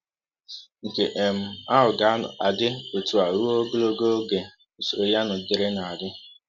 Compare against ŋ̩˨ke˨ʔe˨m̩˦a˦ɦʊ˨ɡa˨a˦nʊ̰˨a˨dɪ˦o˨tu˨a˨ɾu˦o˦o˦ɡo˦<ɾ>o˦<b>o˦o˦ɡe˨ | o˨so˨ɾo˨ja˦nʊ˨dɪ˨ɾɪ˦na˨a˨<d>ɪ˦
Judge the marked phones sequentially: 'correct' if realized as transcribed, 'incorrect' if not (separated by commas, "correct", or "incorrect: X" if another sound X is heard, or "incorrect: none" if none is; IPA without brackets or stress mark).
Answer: incorrect: l, incorrect: ɡ, correct